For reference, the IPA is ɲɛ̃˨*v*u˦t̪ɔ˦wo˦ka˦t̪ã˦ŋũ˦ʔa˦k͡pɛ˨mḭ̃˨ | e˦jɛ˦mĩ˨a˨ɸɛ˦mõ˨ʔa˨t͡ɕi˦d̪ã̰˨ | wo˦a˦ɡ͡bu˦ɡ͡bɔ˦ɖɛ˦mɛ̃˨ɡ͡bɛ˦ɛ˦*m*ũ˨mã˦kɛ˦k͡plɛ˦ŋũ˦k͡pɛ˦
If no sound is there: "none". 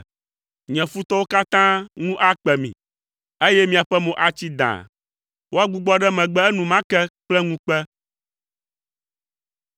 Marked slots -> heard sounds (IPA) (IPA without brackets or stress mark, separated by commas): f, n